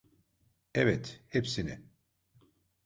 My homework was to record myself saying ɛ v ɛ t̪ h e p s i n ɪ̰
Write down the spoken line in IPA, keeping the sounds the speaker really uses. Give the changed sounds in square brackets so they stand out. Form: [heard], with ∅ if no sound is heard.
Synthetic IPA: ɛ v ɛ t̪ h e p s i n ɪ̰